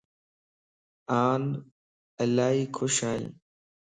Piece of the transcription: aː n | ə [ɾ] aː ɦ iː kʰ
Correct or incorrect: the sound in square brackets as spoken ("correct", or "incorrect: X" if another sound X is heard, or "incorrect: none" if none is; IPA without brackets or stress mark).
incorrect: l